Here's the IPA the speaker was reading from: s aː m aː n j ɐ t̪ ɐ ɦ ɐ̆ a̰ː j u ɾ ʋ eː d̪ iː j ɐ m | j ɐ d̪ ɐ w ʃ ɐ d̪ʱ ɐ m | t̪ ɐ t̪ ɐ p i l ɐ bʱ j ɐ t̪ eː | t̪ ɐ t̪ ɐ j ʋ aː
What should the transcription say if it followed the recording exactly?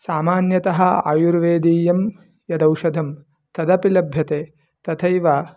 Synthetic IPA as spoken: s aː m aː n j ɐ t̪ ɐ ɦ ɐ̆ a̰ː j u ɾ ʋ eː d̪ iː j ɐ m | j ɐ d̪ ɐ w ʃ ɐ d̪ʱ ɐ m | t̪ ɐ d̪ ɐ p i l ɐ bʱ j ɐ t̪ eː | t̪ ɐ t̪ʰ ɐ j ʋ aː

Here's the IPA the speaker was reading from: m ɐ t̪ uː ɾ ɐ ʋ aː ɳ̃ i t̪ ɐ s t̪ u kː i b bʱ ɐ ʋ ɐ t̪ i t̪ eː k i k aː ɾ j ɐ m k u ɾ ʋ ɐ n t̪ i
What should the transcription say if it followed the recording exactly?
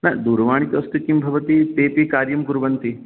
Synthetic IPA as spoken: n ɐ d̪ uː ɾ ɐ ʋ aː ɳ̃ i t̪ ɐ s t̪ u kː i m bʱ ɐ ʋ ɐ t̪ i t̪ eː p i k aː ɾ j ɐ m k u ɾ ʋ ɐ n t̪ i

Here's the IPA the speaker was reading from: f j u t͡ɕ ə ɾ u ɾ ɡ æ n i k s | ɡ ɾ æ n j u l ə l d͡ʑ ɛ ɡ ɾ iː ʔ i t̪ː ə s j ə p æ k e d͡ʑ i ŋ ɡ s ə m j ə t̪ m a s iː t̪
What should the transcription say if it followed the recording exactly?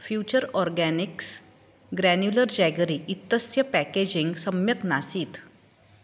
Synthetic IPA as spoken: f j u t͡ɕ ə ɾ ɔ ɾ ɡ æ n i k s | ɡ ɾ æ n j u l ə ɾ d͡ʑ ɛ ɡ ɾ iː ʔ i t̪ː ə s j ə p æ k e d͡ʑ i ŋ ɡ s ə m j ə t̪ n a s iː t̪

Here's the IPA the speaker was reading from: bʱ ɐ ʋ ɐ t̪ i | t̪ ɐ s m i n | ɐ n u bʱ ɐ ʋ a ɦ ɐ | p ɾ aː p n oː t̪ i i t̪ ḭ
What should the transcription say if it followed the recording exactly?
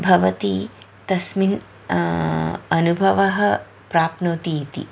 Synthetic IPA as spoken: bʱ ɐ ʋ ɐ t̪ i | t̪ ɐ s m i n | ɐ n u bʱ ɐ ʋ ɐ ɦ ɐ | p ɾ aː p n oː t̪ i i t̪ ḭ

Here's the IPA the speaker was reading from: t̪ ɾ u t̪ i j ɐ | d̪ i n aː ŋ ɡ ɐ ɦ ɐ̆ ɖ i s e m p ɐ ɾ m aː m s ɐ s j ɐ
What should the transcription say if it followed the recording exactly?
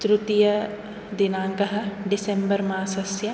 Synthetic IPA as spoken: t̪ ɾ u t̪ i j ɐ | d̪ i n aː ŋ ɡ ɐ ɦ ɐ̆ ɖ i s e m b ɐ ɾ m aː s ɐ s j ɐ

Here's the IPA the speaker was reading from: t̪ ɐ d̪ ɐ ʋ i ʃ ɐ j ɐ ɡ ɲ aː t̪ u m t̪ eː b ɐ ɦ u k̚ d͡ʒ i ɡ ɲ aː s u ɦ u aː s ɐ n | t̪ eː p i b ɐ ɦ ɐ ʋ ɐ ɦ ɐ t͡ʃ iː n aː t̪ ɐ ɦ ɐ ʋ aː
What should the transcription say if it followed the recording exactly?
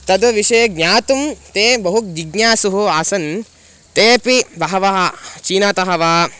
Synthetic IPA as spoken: t̪ ɐ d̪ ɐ ʋ i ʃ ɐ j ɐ ɡ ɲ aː t̪ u m t̪ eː b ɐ ɦ u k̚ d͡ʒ i ɡ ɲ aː s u ɦ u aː s ɐ n | t̪ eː p i b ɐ ɦ ɐ ʋ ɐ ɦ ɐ t͡ʃ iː n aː t̪ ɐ ɦ ɐ ʋ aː

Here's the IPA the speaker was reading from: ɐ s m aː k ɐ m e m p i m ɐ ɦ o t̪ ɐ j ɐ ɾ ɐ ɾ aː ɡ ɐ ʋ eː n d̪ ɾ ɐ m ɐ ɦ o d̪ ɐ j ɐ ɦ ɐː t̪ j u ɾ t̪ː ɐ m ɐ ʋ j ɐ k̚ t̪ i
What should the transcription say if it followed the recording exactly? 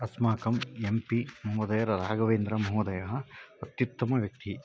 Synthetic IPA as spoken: ɐ s m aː k ɐ m e m p i m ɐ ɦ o d̪ ɐ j ɐ ɾ ɐ ɾ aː ɡ ɐ ʋ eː n d̪ ɾ ɐ m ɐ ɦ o d̪ ɐ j ɐ ɦ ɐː t̪ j u t̪ː ɐ m ɐ ʋ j ɐ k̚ t̪ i

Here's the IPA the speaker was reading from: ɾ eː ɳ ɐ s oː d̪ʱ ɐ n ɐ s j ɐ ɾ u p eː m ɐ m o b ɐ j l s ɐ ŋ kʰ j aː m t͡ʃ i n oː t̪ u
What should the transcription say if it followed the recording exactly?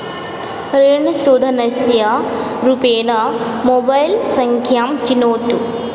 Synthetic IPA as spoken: ɾ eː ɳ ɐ s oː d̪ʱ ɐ n ɐ s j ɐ ɾ u p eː n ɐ m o b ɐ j l s ɐ ŋ kʰ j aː m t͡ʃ i n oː t̪ u

